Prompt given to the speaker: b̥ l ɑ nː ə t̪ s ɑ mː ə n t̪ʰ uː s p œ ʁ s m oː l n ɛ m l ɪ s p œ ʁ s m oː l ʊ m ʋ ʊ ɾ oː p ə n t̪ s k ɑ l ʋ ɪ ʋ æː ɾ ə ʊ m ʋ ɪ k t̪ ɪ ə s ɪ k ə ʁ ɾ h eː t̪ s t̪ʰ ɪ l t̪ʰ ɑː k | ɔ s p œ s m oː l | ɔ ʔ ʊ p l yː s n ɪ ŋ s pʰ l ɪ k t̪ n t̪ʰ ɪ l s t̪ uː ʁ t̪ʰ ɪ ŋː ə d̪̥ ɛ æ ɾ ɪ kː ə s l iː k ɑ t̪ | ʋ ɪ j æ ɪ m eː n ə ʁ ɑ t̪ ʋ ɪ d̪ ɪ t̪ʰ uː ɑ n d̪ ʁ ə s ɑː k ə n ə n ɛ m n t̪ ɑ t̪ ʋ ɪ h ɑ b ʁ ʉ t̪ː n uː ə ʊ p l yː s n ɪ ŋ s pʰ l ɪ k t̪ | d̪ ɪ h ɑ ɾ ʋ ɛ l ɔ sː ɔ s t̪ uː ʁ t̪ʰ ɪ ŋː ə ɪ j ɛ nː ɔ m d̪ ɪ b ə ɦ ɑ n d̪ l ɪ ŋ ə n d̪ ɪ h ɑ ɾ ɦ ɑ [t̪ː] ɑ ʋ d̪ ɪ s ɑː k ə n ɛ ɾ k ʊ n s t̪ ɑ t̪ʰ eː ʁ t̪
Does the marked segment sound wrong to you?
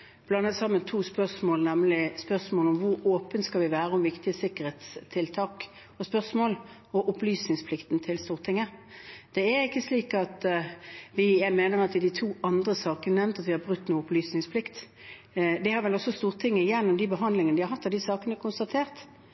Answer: no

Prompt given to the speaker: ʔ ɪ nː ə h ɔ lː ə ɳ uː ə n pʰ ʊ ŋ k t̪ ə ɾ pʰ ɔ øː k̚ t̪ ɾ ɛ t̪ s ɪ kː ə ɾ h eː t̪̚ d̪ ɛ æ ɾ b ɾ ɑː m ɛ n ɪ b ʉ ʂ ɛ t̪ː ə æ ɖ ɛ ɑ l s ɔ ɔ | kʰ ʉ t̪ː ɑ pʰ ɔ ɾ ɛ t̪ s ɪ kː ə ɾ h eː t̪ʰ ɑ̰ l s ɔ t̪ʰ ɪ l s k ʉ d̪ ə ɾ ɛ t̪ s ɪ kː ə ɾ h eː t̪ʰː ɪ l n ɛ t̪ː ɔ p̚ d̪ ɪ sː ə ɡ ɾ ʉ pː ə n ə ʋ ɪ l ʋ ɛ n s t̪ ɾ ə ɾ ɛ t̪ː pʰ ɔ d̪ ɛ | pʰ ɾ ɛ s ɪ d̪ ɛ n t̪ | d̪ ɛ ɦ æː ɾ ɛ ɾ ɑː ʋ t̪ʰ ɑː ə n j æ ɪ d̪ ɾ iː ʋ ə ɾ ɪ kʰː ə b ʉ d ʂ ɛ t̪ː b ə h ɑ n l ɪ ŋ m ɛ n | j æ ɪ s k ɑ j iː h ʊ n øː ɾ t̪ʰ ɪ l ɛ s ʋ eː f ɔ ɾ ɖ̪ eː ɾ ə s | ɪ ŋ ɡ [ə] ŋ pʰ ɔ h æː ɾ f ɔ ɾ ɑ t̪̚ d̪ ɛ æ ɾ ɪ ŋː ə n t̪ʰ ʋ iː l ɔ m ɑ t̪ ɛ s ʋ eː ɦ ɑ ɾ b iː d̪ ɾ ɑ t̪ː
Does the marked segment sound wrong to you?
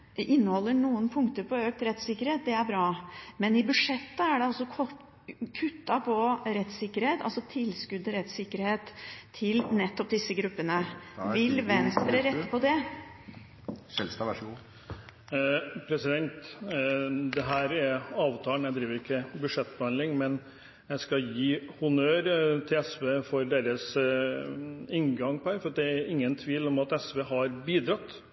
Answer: yes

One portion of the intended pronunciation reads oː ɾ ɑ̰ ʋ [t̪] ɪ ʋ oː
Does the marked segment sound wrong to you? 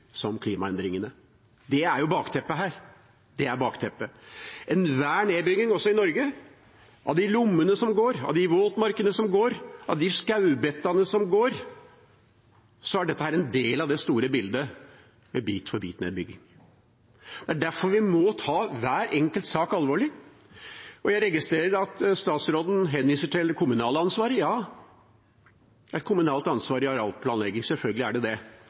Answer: yes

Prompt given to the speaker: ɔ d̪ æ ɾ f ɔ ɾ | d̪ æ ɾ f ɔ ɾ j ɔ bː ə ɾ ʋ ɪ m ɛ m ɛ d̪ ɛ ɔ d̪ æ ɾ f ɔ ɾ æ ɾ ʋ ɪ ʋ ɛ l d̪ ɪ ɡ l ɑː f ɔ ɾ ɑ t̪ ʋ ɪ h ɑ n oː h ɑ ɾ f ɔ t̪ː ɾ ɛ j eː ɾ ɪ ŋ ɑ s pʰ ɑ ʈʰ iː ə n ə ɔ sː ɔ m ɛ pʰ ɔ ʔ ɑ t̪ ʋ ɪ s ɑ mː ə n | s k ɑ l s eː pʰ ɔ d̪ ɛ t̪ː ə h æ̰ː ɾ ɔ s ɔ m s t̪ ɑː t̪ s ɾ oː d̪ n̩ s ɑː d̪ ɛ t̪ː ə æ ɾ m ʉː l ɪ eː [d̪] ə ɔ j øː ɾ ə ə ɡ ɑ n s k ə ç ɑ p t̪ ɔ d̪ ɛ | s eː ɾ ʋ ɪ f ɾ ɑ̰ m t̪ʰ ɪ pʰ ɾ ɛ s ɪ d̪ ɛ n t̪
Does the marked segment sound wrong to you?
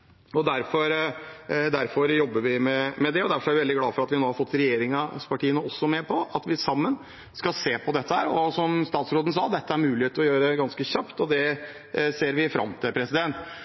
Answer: yes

